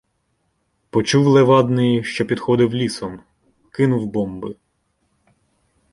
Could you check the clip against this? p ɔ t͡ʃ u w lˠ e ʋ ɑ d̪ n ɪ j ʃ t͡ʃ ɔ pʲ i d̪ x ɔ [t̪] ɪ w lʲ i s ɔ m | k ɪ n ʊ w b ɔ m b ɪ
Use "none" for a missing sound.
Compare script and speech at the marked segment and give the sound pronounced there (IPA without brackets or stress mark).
d̪